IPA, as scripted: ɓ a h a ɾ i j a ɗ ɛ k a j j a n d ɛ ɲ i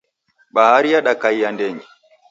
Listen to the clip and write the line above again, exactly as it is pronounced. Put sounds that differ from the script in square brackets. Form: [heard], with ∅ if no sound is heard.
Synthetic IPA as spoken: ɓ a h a ɾ i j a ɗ [a] k a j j a n d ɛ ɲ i